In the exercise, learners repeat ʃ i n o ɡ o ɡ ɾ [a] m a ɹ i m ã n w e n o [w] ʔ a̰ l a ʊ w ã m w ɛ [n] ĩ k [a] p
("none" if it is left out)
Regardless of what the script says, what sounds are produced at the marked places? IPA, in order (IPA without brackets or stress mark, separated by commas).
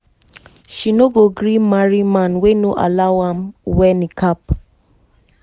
i, none, n, a